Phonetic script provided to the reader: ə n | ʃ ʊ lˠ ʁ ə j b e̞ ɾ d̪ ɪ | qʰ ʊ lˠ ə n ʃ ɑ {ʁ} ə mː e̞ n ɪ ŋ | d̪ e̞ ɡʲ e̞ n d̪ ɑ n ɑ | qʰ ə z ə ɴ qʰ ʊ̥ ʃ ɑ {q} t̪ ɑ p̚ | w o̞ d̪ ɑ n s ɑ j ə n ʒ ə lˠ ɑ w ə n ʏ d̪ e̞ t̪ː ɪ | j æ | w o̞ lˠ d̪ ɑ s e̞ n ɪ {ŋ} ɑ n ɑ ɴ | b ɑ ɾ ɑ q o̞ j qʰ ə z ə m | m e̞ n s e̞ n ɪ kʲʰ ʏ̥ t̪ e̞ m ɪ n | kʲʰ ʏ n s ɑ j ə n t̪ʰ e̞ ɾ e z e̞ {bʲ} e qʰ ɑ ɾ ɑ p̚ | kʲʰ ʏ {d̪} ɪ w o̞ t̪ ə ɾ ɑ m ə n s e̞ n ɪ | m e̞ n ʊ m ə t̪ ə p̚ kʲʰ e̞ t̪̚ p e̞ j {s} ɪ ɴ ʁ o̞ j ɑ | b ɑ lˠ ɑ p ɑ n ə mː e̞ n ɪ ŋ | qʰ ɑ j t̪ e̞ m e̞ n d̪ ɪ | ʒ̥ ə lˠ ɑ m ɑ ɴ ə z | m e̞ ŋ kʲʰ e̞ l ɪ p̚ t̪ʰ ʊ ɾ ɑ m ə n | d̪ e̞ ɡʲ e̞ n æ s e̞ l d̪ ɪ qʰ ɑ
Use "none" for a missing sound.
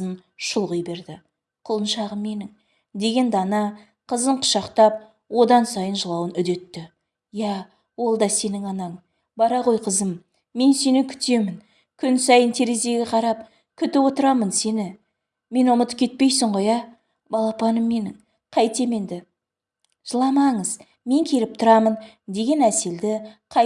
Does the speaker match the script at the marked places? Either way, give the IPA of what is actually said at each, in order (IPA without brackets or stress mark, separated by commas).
ʁ, q, ŋ, ɡʲ, t̪, s